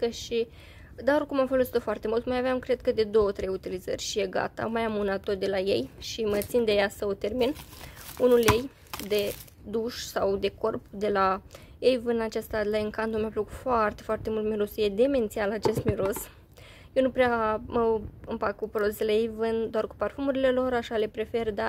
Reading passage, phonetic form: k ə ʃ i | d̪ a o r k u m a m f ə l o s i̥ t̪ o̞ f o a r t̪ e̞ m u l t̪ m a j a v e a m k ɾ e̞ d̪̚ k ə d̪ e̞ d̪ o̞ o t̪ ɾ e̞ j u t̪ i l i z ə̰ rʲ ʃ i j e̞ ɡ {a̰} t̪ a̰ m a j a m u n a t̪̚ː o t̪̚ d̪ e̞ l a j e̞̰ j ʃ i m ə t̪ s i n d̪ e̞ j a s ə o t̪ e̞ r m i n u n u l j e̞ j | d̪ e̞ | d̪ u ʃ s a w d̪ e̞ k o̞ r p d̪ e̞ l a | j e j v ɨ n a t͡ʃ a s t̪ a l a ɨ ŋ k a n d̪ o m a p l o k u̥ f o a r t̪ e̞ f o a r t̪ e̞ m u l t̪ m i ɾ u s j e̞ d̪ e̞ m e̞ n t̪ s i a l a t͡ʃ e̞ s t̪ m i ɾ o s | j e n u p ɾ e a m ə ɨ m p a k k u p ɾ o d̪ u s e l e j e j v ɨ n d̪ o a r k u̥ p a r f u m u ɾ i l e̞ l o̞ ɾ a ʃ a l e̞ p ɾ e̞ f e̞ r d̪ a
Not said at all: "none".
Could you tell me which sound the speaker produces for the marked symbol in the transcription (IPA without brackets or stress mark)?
a̰